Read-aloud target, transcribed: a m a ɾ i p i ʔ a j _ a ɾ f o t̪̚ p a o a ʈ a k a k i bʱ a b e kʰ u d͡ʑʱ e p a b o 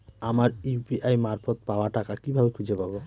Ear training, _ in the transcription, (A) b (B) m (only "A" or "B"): B